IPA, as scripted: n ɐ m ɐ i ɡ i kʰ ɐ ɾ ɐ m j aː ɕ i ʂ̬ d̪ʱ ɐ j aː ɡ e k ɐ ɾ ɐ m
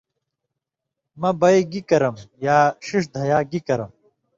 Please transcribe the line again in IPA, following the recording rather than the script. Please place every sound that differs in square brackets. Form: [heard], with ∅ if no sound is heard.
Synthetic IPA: [m] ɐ [b] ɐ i ɡ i [k] ɐ ɾ ɐ m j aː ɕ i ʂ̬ d̪ʱ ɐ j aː ɡ [i] k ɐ ɾ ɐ m

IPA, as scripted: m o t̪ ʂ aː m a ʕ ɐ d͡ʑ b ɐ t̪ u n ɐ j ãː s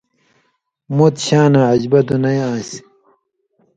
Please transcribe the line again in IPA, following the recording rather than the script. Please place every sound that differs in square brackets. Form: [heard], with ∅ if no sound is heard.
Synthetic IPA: m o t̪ [ɕ] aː [n] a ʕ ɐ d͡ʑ b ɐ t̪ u n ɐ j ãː s

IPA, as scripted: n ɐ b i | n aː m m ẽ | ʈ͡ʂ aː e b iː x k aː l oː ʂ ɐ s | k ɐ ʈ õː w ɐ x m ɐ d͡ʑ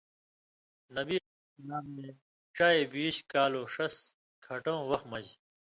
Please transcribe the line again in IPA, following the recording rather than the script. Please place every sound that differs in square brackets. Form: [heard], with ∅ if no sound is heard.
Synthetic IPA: n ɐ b i | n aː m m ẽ | ʈ͡ʂ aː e b iː [ɕ] k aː l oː ʂ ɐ s | [kʰ] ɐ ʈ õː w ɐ x m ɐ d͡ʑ

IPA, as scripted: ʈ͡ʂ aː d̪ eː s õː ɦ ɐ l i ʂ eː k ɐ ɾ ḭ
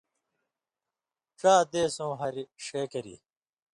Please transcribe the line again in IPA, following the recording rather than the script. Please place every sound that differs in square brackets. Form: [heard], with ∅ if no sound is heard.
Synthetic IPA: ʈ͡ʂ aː d̪ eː s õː ɦ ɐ [ɾ] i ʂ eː k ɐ ɾ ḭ

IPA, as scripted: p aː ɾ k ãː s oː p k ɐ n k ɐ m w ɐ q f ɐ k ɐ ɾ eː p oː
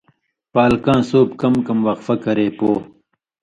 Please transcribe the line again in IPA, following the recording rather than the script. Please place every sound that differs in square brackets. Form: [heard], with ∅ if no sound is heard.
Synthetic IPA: p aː [l] k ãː s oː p k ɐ [m] k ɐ m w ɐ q f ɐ k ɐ ɾ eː p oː

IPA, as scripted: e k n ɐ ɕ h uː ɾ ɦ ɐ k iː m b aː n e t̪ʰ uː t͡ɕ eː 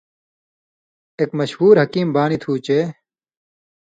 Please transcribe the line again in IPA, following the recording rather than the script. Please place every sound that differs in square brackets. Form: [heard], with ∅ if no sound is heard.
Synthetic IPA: e k [m] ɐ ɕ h uː ɾ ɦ ɐ k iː m b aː n [i] t̪ʰ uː t͡ɕ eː

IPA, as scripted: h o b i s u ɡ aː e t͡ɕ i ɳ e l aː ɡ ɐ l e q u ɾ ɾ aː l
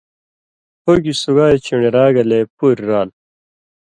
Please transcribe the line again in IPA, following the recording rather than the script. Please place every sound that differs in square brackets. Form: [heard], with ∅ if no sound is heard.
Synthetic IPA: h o [ɡ] i s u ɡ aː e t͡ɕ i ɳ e [ɾ] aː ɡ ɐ l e [p] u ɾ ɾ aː l

